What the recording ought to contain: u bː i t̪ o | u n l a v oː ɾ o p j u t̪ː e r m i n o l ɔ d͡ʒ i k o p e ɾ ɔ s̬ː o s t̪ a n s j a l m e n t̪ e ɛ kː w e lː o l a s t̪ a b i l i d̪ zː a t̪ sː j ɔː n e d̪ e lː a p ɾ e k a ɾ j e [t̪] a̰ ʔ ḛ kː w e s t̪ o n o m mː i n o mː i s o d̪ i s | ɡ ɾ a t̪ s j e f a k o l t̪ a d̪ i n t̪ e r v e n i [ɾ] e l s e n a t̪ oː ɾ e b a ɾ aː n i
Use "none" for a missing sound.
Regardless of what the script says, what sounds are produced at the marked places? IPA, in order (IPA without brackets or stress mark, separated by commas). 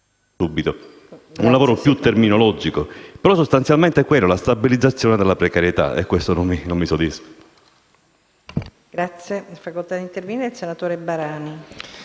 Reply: t̪, ɾ